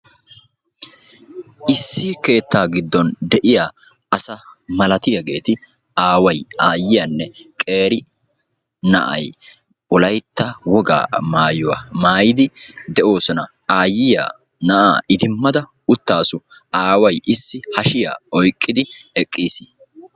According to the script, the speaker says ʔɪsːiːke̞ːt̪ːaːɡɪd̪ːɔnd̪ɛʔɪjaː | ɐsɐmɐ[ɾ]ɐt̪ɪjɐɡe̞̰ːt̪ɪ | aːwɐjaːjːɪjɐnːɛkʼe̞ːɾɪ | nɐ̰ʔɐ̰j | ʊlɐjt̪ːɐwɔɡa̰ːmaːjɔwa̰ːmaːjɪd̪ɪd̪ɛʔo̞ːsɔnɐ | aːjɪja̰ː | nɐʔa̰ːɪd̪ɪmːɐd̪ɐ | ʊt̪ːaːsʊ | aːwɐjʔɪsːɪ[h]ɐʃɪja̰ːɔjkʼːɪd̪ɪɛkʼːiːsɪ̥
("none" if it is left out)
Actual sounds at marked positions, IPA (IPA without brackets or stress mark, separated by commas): l, h